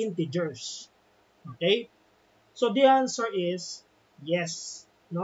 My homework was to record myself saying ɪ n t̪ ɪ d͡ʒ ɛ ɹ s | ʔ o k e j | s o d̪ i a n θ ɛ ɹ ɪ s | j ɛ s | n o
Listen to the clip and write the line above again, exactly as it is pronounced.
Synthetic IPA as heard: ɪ n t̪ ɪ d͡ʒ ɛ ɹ s | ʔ o k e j | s o d̪ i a n s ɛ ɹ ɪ s | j ɛ s | n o